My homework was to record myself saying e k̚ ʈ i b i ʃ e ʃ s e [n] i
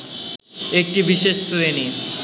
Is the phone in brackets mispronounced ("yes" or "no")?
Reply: no